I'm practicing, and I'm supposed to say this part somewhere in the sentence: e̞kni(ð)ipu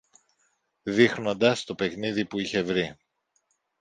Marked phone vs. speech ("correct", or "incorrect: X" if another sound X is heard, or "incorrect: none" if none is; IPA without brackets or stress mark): correct